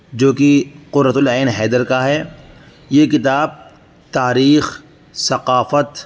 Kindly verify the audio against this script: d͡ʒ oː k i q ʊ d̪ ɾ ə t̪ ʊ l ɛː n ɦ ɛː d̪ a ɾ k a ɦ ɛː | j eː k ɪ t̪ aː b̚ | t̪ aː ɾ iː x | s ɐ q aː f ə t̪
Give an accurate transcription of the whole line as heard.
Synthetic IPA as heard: d͡ʒ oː k i q ʊ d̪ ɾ ə t̪ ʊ l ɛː n ɦ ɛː d̪ ə ɾ k a ɦ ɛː | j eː k ɪ t̪ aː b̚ | t̪ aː ɾ iː x | s ɐ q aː f ə t̪